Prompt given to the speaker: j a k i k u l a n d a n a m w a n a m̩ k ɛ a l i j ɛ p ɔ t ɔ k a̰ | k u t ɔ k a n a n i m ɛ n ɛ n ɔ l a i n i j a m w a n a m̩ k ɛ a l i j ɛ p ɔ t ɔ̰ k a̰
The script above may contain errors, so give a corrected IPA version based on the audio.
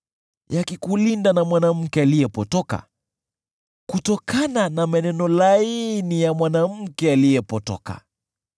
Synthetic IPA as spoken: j a k i k u l i n d a n a m w a n a m̩ k ɛ a l i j ɛ p ɔ t ɔ k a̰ | k u t ɔ k a n a n a m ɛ n ɛ n ɔ l a i n i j a m w a n a m̩ k ɛ a l i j ɛ p ɔ t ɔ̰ k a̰

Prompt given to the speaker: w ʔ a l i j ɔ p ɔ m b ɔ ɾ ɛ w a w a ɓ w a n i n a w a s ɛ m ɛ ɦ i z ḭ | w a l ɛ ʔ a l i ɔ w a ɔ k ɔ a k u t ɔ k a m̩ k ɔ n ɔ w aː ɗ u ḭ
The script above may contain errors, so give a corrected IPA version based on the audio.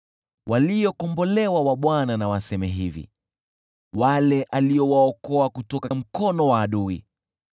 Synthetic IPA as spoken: w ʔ a l i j ɔ k ɔ m b ɔ l ɛ w a w a ɓ w a n a n a w a s ɛ m ɛ ɦ i v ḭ | w a l ɛ ʔ a l i ɔ w a ɔ k ɔ a k u t ɔ k a m̩ k ɔ n ɔ w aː ɗ u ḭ

